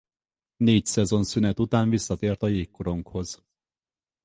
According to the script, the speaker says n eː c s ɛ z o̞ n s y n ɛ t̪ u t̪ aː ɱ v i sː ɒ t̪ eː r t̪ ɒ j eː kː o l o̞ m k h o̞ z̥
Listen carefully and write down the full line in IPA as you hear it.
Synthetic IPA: n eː c s ɛ z o̞ n s y n ɛ t̪ u t̪ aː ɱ v i sː ɒ t̪ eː r t̪ ɒ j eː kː o ɾ o̞ ŋ k h o̞ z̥